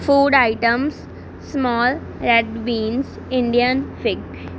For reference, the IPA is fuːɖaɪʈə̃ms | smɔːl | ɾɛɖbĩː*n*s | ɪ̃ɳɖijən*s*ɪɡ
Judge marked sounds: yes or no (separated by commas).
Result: yes, no